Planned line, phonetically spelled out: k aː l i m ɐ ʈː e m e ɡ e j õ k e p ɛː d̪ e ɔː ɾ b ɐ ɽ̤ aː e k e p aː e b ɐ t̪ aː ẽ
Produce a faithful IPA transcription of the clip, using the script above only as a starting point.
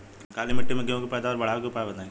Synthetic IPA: k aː l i m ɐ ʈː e m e ɡ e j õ k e p ɛː d̪ a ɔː ɾ b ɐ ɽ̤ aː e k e p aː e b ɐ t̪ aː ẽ